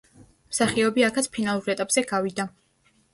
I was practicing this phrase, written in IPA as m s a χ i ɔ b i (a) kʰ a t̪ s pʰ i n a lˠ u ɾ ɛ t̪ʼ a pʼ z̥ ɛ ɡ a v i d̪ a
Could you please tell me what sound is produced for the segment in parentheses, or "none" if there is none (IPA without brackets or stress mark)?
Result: a